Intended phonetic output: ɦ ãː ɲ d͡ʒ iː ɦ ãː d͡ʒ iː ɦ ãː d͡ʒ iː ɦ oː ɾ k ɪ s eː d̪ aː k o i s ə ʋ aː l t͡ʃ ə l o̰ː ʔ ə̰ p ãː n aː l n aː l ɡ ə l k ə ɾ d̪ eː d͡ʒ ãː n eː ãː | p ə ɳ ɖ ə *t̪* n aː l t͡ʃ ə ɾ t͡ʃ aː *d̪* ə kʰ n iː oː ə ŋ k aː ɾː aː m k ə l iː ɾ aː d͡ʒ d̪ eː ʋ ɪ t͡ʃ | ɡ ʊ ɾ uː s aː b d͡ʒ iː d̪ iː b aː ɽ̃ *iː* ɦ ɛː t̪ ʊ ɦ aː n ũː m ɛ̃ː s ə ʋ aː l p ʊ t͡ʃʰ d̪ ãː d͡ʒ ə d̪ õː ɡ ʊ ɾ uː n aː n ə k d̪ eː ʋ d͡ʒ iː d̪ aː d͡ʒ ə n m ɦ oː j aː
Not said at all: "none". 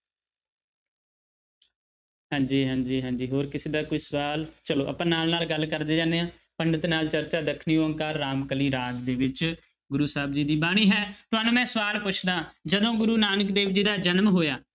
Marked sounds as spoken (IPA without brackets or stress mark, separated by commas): t̪, d̪, iː